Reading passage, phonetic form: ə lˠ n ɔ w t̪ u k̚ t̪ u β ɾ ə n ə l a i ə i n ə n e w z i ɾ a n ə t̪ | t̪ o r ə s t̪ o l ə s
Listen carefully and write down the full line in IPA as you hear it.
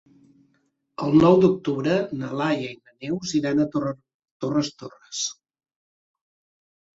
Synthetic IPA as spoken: ə lˠ n ɔ w d̪ u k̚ t̪ u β ɾ ə n ə l a j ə i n ə n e w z i ɾ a n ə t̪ | t̪ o r ə s t̪ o r ə s